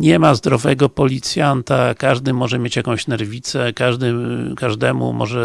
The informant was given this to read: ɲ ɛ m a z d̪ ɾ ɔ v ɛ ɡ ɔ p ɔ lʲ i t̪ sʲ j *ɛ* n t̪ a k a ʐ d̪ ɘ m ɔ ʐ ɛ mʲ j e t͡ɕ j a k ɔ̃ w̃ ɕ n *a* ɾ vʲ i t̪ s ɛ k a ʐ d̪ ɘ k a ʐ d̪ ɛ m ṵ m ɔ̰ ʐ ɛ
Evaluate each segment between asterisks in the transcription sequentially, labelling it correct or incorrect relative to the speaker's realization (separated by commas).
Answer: incorrect, incorrect